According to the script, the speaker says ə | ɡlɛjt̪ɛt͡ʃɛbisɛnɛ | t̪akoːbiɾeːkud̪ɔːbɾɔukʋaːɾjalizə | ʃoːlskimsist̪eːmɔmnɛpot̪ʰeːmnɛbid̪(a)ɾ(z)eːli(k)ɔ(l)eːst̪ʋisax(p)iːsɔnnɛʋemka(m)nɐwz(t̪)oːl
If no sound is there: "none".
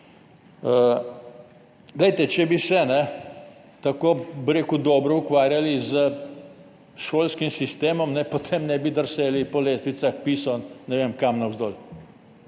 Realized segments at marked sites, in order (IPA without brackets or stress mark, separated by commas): ə, s, p, l, p, m, d̪